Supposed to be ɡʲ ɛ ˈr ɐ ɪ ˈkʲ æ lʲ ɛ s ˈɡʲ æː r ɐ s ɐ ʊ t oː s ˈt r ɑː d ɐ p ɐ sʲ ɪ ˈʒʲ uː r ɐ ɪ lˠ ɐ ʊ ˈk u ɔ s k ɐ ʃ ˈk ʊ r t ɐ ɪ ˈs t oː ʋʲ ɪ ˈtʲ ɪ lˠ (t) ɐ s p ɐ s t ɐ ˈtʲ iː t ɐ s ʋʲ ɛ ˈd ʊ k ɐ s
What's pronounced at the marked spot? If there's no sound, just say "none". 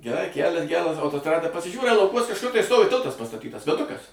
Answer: t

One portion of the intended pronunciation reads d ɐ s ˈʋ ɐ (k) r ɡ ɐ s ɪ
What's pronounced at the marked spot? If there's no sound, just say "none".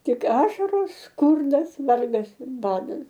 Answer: none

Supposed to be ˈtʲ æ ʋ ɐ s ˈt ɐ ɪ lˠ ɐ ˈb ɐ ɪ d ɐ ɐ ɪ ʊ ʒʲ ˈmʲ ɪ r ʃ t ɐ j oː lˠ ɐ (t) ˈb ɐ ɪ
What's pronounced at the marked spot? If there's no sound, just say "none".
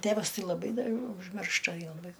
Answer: none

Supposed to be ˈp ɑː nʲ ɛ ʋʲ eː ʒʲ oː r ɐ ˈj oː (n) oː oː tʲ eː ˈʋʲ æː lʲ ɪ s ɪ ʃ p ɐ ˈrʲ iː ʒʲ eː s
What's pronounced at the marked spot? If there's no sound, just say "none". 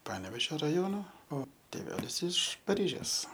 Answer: n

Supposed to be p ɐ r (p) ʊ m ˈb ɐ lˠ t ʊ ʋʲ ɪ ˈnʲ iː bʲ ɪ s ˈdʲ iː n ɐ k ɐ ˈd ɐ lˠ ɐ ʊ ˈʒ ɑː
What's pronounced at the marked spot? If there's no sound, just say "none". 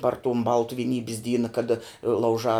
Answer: t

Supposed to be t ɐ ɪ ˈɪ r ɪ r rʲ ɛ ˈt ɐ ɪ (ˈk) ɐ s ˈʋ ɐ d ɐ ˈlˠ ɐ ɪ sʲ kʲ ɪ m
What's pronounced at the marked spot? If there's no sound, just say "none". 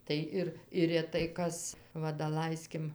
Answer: k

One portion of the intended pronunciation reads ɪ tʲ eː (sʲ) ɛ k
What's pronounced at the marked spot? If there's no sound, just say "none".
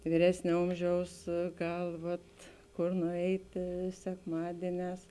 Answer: sʲ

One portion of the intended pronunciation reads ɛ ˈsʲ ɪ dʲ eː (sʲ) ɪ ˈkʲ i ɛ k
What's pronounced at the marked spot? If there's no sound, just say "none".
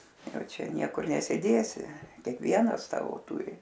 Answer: sʲ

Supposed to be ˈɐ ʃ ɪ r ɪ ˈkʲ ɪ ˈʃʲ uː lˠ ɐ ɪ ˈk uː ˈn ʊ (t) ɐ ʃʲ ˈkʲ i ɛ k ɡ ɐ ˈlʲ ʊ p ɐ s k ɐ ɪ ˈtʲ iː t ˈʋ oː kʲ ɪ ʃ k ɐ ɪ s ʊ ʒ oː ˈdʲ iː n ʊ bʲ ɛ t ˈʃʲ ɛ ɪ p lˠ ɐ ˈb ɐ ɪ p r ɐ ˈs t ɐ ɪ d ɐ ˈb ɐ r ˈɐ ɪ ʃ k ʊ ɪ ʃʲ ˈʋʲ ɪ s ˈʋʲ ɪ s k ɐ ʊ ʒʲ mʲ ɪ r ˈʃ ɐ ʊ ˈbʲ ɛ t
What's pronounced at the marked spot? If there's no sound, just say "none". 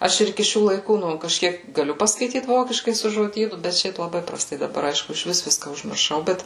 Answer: k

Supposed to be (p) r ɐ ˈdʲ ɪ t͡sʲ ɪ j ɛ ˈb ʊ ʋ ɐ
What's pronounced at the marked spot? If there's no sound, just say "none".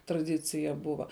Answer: t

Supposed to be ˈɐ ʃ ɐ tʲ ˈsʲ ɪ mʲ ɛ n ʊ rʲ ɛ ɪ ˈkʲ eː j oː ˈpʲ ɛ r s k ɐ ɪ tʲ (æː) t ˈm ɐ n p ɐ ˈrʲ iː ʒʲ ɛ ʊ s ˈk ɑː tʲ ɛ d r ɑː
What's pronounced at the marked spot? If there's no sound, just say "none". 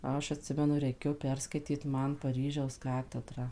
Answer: iː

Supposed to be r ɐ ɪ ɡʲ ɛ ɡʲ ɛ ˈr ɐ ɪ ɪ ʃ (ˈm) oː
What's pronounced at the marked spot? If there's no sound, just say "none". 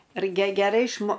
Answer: m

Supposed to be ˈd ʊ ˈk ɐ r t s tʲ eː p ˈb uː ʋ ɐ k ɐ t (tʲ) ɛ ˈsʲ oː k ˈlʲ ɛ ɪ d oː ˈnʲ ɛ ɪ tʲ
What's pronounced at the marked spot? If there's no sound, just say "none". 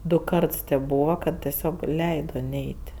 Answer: tʲ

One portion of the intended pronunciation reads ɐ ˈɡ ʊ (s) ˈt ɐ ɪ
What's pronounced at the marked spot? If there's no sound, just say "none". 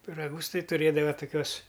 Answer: s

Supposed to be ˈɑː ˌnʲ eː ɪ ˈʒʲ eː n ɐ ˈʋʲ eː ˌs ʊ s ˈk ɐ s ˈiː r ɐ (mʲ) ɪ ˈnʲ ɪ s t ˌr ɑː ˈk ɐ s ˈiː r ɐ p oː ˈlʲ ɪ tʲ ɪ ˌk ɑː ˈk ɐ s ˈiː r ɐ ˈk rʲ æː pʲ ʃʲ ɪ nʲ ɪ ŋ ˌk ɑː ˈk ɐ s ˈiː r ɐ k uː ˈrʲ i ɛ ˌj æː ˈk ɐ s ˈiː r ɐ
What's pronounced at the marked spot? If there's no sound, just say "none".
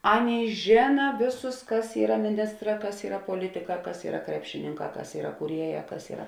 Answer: mʲ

